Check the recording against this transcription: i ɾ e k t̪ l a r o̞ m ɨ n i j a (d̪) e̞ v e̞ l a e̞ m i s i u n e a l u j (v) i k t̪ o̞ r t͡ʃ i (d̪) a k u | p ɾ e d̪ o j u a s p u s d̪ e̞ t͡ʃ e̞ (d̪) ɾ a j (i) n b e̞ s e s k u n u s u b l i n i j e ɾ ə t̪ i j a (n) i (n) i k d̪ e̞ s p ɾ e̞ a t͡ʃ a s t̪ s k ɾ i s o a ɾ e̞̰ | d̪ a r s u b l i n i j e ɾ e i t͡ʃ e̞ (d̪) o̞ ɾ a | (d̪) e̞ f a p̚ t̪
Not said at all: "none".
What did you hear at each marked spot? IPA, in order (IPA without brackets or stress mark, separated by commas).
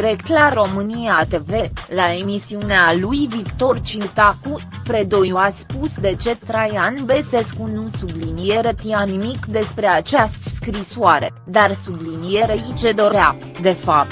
t̪, v, t̪, t̪, a, n, m, d̪, d̪